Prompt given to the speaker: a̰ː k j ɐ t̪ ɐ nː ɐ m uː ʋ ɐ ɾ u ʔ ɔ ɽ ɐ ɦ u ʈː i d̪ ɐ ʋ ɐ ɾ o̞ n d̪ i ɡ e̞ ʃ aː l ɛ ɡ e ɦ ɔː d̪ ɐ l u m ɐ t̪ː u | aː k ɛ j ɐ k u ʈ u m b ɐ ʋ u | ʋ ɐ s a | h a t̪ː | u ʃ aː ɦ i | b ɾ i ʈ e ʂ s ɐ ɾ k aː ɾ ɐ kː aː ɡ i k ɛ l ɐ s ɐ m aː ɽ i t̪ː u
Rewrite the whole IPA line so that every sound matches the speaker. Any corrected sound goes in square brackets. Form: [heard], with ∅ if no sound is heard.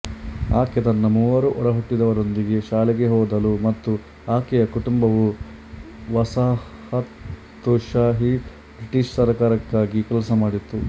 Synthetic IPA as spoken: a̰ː k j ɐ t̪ ɐ nː ɐ m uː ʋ ɐ ɾ u ʔ ɔ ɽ ɐ ɦ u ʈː i d̪ ɐ ʋ ɐ ɾ o̞ n d̪ i ɡ e̞ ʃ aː l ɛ ɡ e ɦ ɔː d̪ ɐ l u m ɐ t̪ː u | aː k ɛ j ɐ k u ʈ u m b ɐ ʋ u | ʋ ɐ s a | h [ɐ] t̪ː | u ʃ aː ɦ i | b ɾ i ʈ [i] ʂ s ɐ ɾ k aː ɾ ɐ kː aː ɡ i k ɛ l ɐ s ɐ m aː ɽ i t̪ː u